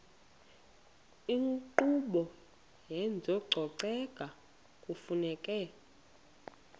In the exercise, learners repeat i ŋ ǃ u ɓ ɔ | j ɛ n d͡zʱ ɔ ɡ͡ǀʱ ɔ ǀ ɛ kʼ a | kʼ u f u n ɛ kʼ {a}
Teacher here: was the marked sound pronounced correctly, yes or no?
no